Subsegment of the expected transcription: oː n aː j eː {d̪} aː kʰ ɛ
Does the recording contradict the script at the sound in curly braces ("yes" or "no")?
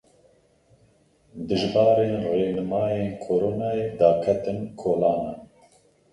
no